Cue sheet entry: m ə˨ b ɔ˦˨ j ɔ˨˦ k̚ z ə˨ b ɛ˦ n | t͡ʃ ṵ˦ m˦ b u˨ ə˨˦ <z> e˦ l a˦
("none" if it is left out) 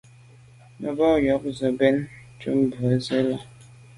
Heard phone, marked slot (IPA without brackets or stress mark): z